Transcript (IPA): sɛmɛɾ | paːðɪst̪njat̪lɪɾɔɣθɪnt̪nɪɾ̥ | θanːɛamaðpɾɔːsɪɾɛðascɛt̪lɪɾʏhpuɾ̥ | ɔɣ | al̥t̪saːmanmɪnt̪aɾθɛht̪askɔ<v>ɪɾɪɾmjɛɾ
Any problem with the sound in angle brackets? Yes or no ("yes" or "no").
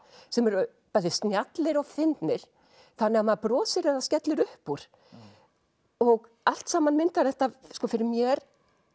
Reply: yes